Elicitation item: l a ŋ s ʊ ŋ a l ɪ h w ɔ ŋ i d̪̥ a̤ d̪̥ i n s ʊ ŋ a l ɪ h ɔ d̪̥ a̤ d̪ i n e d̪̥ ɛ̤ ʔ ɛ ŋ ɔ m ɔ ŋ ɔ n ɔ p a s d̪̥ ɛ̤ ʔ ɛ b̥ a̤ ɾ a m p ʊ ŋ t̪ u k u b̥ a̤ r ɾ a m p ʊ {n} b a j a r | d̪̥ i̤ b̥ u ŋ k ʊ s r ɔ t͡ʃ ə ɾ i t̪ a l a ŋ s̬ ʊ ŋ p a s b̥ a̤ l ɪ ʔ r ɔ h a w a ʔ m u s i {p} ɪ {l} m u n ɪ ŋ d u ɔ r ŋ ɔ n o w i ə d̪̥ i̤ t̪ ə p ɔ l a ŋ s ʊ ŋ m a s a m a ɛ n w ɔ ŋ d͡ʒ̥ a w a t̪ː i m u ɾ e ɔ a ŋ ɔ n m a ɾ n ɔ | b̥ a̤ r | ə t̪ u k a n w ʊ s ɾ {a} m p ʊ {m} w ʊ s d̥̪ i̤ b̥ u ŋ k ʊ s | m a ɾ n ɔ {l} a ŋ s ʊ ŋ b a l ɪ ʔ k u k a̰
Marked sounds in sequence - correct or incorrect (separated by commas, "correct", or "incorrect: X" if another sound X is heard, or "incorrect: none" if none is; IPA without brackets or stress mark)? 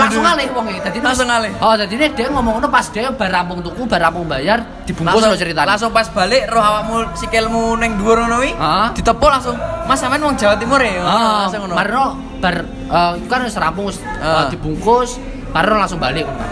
incorrect: ŋ, incorrect: k, correct, correct, incorrect: ŋ, correct